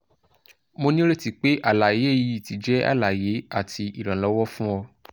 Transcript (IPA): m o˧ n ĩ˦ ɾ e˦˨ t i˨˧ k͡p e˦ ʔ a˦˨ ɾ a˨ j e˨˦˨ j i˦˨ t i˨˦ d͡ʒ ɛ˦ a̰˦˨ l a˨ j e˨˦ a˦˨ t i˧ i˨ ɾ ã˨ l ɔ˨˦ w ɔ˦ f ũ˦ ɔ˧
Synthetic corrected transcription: m o˧ n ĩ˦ ɾ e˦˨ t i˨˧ k͡p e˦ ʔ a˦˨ l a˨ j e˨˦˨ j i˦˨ t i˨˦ d͡ʒ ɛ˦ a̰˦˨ l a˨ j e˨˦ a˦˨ t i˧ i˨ ɾ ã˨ l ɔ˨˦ w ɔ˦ f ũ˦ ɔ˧

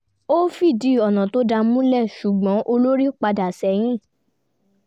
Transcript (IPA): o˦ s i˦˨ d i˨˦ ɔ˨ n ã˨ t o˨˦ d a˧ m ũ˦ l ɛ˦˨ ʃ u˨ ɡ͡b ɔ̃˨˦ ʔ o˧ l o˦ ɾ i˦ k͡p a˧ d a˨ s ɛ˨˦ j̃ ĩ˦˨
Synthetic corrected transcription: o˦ f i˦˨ d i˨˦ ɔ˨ n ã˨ t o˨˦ d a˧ m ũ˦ l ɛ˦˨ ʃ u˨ ɡ͡b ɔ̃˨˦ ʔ o˧ l o˦ ɾ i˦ k͡p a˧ d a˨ s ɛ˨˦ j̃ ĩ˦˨

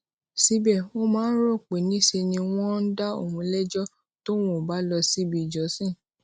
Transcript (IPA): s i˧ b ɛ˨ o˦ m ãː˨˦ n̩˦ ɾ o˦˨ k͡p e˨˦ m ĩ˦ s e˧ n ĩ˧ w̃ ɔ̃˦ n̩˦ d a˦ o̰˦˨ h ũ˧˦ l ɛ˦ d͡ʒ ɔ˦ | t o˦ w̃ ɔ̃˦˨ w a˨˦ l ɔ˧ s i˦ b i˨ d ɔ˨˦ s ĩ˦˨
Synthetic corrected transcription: s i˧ b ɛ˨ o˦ m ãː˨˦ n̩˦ ɾ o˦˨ k͡p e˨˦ n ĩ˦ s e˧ n ĩ˧ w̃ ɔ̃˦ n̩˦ d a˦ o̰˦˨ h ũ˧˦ l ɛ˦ d͡ʒ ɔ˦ | t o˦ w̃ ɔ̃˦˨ b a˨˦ l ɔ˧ s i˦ b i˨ d͡ʒ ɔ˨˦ s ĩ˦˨

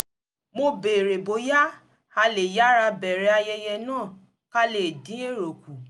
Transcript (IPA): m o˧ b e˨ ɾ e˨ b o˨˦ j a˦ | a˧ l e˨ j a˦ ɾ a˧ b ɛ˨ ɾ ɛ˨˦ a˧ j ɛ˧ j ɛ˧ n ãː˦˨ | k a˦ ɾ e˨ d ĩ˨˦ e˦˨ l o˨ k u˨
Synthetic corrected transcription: m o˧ b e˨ ɾ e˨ b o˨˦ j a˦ | a˧ l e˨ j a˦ ɾ a˧ b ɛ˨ ɾ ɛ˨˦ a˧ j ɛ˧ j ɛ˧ n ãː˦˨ | k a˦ l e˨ d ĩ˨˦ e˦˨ ɾ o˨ k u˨

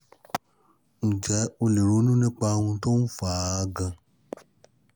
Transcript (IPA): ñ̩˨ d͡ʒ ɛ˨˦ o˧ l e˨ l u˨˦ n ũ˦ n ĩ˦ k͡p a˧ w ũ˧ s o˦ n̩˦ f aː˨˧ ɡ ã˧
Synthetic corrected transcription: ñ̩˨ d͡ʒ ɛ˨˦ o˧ l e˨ ɾ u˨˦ n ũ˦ n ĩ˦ k͡p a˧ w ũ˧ t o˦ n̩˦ f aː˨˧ ɡ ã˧

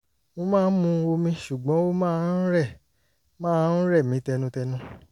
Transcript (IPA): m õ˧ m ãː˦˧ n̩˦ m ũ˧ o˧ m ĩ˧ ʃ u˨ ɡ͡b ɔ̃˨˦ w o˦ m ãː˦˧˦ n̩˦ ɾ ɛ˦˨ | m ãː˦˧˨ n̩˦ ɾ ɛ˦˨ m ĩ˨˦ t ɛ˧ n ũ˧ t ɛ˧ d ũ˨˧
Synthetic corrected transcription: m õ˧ m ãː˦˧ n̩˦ m ũ˧ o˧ m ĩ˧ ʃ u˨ ɡ͡b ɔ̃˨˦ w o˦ m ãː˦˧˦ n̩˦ ɾ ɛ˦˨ | m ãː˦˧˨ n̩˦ ɾ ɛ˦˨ m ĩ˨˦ t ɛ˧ n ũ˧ t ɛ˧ n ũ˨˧

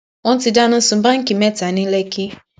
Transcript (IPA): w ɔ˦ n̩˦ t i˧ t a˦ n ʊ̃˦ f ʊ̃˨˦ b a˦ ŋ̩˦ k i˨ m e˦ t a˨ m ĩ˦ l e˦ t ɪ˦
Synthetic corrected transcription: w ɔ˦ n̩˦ t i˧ d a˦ n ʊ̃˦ s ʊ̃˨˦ b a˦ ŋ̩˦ k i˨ m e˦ t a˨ n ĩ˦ l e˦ k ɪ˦

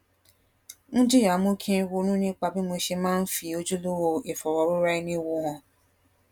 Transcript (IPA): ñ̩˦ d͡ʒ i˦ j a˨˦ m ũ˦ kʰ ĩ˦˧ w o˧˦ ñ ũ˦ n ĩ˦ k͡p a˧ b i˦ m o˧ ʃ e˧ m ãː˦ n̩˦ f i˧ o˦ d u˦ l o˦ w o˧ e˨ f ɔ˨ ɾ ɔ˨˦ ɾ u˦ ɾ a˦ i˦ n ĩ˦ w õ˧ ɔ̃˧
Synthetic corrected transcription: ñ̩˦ d͡ʒ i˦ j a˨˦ m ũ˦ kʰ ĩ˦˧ w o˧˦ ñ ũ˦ n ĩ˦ k͡p a˧ b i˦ m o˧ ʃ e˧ m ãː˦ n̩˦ f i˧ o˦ d͡ʒ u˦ l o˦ w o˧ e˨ f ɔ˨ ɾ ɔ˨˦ ɾ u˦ ɾ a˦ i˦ n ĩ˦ w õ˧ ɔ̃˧

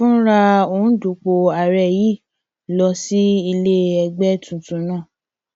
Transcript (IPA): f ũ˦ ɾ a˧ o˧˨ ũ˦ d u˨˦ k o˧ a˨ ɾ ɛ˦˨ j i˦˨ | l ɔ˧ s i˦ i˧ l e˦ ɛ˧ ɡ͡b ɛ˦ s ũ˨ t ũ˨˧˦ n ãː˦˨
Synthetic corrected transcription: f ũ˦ ɾ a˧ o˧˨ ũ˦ d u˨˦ k͡p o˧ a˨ ɾ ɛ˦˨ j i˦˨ | l ɔ˧ s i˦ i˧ l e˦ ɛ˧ ɡ͡b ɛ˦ t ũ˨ t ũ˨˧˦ n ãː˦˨

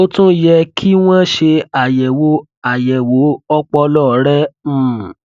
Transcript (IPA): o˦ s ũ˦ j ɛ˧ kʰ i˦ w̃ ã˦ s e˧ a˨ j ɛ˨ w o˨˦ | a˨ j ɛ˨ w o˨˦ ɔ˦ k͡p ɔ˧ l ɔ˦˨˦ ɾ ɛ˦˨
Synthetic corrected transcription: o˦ t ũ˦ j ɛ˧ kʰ i˦ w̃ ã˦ ʃ e˧ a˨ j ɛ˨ w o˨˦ | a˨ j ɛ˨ w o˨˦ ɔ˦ k͡p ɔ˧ l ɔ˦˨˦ ɾ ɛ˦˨

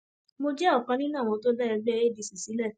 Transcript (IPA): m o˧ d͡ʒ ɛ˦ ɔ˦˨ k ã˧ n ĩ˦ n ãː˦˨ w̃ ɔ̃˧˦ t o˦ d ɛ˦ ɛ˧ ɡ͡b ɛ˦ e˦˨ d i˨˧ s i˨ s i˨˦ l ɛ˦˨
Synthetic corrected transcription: m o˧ d͡ʒ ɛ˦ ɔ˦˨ k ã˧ n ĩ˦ n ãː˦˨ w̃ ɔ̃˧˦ t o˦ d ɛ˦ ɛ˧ ɡ͡b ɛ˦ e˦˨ d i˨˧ s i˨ s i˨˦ l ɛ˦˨

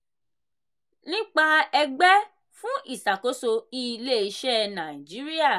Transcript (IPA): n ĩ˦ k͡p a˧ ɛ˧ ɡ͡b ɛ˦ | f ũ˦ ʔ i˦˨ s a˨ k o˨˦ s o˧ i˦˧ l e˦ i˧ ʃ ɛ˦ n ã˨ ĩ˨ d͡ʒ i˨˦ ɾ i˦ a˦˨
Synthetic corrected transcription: n ĩ˦ k͡p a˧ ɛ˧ ɡ͡b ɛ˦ | f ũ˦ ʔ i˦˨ s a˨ k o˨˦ s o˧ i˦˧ l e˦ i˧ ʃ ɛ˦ n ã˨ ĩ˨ d͡ʒ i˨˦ ɾ i˦ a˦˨

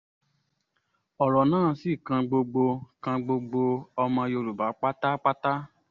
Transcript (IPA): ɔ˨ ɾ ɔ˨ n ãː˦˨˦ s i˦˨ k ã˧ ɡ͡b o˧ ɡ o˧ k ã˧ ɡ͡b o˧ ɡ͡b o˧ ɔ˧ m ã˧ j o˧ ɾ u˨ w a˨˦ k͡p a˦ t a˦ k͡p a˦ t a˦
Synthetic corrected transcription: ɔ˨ ɾ ɔ˨ n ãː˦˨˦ s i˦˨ k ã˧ ɡ͡b o˧ ɡ͡b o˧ k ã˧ ɡ͡b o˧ ɡ͡b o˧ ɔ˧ m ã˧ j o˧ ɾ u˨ b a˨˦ k͡p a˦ t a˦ k͡p a˦ t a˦

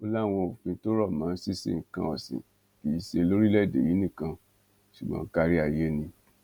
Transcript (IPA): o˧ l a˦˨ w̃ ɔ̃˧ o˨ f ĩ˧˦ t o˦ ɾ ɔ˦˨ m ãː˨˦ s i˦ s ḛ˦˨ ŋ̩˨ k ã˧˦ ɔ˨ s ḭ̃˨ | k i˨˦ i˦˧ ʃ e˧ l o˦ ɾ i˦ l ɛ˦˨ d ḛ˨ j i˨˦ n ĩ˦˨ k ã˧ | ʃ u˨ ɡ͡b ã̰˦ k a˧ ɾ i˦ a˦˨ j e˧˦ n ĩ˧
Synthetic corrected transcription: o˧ l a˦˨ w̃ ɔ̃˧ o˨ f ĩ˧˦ t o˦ ɾ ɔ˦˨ m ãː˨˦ s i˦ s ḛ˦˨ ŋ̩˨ k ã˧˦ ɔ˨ s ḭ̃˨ | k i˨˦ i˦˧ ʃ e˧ l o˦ ɾ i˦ l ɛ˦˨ d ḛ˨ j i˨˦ n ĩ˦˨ k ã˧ | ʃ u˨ ɡ͡b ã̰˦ k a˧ ɾ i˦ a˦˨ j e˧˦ n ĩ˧

